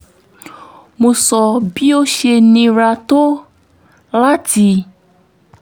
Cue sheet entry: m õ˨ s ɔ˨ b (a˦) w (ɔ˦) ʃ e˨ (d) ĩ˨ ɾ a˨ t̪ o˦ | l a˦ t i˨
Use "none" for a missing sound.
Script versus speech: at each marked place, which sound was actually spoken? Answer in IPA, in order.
i˦, o˦, n

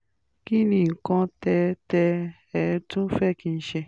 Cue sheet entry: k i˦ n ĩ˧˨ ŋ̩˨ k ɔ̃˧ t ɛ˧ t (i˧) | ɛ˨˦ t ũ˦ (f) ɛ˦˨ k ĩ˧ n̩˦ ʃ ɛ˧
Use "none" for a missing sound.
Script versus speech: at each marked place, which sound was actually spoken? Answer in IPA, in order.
ɛ˧, f

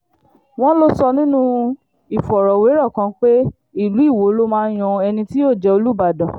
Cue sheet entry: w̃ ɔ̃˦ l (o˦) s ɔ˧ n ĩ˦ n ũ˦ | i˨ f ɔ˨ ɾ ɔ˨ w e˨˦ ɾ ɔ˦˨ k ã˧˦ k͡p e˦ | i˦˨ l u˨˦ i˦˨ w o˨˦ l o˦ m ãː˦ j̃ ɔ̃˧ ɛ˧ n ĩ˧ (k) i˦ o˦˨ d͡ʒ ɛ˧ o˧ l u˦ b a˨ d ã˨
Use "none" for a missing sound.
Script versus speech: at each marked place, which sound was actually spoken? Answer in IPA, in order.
o˦, t

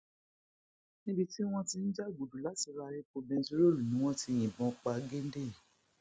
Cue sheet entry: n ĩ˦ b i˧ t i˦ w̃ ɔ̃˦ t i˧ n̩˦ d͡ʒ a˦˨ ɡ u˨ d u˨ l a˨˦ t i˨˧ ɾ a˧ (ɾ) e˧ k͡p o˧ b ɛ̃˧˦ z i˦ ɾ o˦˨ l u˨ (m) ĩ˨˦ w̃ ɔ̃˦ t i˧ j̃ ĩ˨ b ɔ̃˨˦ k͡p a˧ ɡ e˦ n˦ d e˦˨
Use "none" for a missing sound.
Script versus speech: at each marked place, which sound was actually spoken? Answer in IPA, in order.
ɾ, n

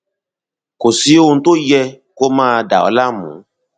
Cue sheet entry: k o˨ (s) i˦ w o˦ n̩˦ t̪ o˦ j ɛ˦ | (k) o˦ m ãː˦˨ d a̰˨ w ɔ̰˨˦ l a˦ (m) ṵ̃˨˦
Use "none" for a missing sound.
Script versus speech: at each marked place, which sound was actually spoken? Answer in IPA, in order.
s, k, m

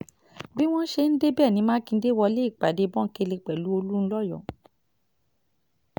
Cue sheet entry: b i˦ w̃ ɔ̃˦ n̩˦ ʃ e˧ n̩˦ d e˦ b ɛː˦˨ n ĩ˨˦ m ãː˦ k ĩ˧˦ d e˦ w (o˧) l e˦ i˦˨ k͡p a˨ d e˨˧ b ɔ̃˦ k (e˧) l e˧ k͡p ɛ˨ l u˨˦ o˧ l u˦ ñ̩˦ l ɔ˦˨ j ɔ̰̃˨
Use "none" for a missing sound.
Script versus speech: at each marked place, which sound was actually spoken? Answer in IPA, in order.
ɔ˧, e˧

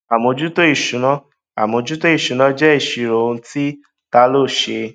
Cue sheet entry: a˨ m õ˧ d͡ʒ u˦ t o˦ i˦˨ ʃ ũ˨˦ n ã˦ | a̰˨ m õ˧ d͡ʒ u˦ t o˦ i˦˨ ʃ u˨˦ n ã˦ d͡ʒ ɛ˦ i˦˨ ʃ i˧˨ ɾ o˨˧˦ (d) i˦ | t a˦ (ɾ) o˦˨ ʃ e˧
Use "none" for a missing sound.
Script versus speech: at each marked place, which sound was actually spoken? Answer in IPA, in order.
t, l

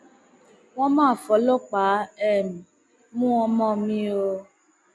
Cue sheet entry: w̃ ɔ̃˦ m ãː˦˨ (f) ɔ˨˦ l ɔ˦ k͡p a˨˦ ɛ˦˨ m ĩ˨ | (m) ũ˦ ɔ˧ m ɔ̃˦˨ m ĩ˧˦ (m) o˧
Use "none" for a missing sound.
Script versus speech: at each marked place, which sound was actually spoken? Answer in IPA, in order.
f, m, none

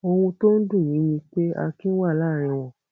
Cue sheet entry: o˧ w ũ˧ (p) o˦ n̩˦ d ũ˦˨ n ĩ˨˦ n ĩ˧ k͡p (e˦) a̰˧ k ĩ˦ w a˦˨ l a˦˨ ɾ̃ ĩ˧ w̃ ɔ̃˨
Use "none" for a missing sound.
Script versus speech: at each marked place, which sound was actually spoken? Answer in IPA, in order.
t, e˦

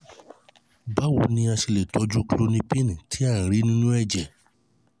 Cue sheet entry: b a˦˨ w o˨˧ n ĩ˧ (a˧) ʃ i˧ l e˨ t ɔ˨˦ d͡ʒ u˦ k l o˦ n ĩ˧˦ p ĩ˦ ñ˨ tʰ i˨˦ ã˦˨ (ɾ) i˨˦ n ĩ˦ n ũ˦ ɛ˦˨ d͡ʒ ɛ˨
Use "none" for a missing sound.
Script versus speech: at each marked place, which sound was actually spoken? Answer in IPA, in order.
a˧, ɾ

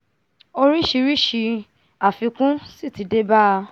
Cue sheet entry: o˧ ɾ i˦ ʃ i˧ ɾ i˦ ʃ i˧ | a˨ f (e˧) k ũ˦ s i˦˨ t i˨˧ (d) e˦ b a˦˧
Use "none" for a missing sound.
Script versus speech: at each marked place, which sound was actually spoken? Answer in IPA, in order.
i˧, d

